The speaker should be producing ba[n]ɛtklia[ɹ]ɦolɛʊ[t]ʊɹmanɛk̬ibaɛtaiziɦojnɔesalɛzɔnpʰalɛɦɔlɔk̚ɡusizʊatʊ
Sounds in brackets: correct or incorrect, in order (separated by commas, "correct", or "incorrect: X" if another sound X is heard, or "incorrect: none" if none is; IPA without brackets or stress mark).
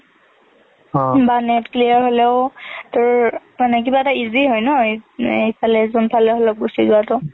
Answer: correct, correct, correct